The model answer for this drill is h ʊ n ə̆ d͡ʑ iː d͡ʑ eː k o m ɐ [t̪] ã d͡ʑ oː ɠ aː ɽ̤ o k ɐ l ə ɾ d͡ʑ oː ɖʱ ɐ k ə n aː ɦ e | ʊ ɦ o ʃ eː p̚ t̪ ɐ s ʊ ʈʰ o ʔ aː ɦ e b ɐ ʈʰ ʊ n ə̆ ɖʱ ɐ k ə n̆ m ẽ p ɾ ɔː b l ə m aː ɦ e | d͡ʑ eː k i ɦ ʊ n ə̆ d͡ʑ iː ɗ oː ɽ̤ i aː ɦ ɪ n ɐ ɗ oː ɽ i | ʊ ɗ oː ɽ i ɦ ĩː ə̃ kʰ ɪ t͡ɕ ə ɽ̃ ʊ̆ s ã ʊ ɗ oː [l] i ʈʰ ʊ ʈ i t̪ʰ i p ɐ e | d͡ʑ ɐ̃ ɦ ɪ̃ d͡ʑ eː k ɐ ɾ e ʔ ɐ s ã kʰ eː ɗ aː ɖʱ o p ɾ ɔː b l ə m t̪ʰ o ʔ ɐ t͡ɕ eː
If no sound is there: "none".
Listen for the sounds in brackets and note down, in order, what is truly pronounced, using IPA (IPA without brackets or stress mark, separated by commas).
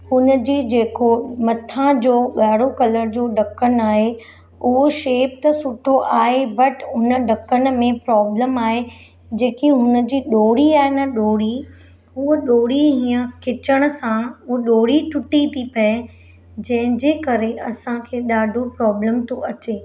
t̪ʰ, ɽ